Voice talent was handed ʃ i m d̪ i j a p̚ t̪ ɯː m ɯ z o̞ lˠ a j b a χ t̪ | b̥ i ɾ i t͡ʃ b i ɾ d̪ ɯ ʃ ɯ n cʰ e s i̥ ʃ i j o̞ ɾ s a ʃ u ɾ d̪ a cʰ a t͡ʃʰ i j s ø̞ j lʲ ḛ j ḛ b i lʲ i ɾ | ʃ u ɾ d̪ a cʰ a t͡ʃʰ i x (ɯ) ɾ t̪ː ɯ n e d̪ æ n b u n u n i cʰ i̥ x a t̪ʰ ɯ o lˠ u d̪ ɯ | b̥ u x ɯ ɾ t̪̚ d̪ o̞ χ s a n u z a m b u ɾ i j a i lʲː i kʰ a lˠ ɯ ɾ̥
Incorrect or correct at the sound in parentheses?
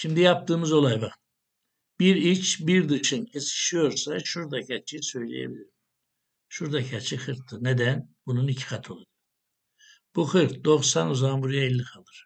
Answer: correct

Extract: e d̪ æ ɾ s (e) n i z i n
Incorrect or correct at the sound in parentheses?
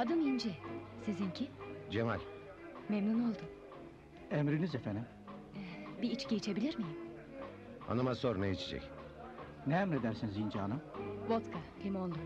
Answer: incorrect: i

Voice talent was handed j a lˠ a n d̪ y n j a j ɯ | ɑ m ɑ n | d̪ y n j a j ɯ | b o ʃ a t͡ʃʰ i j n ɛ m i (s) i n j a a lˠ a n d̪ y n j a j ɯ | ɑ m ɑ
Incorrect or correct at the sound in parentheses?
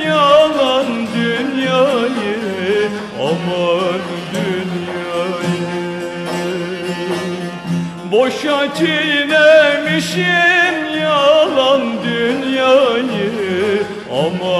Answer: incorrect: ʃ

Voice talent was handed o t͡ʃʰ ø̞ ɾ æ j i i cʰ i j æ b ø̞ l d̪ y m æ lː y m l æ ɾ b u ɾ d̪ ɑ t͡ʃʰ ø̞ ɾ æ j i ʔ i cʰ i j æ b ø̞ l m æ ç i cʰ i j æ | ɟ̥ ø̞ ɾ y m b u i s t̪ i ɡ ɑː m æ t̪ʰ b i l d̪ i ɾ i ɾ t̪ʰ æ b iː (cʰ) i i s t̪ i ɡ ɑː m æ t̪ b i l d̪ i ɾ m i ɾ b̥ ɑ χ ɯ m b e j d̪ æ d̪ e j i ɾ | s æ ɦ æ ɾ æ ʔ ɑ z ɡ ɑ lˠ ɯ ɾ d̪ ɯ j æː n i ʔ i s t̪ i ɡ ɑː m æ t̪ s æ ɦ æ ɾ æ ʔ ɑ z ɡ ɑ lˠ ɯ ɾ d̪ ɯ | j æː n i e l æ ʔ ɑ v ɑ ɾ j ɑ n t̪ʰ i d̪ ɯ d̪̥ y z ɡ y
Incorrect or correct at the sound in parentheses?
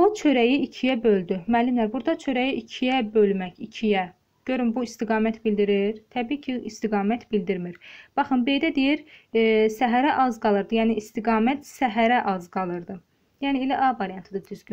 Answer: correct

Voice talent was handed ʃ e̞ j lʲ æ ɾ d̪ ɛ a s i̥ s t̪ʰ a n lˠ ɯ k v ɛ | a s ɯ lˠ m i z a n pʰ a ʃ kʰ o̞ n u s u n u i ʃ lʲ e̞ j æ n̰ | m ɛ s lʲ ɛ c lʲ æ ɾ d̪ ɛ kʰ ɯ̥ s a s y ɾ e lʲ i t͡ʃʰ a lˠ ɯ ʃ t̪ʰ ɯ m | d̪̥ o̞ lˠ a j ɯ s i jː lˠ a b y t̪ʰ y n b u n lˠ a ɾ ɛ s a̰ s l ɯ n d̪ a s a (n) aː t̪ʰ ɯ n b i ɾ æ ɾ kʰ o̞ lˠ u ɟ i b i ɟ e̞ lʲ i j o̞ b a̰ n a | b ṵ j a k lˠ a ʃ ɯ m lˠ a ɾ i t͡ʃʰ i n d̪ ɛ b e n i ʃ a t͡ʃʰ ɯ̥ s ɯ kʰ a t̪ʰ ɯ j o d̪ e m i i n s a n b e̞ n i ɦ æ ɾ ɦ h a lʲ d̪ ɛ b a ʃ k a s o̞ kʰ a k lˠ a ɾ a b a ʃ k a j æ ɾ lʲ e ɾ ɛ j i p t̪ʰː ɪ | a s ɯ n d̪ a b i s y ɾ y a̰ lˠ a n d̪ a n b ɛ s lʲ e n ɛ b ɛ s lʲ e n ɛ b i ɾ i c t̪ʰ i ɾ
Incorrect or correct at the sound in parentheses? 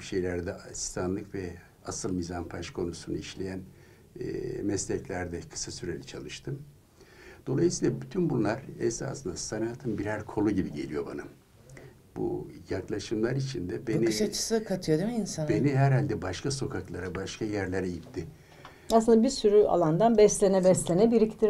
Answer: correct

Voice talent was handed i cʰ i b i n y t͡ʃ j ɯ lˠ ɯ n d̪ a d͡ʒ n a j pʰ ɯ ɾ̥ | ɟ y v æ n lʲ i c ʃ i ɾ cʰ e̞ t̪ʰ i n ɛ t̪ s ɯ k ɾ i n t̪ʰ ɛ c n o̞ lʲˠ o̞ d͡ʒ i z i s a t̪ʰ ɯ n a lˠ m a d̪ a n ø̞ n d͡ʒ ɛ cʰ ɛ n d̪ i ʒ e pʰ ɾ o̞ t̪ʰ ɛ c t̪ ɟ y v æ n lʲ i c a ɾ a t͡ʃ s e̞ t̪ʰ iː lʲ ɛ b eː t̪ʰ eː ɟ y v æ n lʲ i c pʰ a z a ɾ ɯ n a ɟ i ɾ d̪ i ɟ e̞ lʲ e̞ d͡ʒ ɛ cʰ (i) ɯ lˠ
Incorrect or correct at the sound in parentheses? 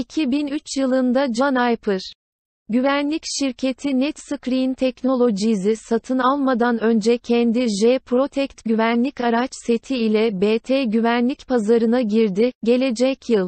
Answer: incorrect: j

